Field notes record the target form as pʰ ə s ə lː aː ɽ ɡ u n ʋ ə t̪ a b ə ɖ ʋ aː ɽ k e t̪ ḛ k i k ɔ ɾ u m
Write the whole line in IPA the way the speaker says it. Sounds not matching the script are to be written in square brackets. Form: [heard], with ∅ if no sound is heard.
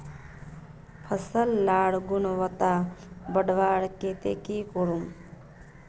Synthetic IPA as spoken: pʰ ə s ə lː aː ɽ ɡ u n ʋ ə t̪ a b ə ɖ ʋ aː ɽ k e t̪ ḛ k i k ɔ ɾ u m